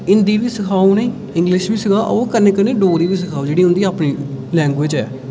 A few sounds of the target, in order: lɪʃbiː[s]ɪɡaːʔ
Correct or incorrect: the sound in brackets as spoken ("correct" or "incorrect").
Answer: correct